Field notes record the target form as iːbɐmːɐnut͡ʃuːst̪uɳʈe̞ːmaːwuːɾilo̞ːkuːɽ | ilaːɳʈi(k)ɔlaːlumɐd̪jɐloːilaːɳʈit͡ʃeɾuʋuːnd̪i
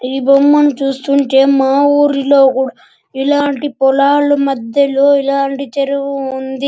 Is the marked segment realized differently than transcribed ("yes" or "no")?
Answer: yes